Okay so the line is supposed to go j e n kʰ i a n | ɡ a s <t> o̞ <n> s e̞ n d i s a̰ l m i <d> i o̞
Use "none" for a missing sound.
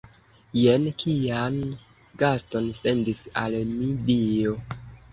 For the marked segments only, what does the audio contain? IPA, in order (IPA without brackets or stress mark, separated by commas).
t, n, d